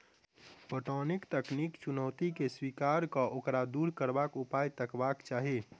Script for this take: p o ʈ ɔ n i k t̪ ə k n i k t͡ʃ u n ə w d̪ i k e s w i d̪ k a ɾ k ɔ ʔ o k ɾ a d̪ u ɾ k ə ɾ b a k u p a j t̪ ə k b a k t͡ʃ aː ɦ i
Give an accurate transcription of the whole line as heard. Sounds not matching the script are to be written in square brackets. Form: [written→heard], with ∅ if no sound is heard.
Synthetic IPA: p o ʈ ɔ n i k t̪ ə k n i k t͡ʃ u n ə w [d̪→t̪] i k e s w i [d̪→∅] k a ɾ k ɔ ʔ o k ɾ a d̪ u ɾ k ə ɾ b a k u p a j t̪ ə k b a k t͡ʃ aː ɦ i